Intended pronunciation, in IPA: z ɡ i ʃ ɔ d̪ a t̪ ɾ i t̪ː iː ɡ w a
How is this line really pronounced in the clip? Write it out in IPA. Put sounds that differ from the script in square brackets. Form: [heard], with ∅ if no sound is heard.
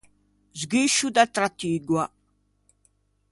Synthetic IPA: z ɡ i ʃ [u] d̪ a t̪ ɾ [a] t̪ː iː ɡ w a